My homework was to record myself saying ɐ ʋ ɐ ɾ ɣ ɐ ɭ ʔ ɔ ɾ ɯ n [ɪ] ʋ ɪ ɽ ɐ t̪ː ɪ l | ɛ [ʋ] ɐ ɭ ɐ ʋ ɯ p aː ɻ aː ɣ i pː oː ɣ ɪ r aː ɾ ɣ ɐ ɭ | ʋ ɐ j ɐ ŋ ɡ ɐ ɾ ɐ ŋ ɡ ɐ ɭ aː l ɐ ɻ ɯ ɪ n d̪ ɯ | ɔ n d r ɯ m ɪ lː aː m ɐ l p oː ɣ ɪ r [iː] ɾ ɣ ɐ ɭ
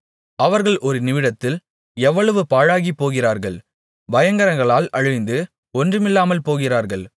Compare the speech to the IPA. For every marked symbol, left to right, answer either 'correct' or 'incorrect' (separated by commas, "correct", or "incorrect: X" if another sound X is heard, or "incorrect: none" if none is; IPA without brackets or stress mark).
correct, incorrect: ʋː, incorrect: aː